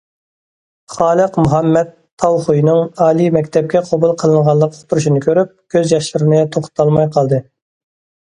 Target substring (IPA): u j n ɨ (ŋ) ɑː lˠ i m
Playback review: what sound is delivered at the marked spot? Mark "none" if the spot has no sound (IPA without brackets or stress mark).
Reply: ŋ